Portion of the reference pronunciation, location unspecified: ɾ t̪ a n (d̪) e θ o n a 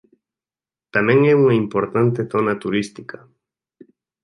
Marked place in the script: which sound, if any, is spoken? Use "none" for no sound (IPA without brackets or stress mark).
t̪